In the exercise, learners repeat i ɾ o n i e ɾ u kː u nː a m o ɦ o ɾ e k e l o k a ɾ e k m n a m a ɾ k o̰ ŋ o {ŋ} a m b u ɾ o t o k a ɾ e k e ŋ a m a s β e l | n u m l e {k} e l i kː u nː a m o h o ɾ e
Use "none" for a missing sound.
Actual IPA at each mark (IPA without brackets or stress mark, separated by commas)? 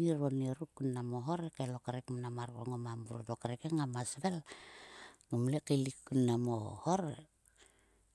m, k